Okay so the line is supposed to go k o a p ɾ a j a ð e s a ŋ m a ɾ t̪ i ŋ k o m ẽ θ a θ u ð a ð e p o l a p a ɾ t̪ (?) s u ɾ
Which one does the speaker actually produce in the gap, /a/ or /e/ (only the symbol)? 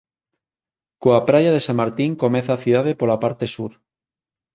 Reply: e